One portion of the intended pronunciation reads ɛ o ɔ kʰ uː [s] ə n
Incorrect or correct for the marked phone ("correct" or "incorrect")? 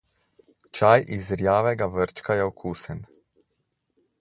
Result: correct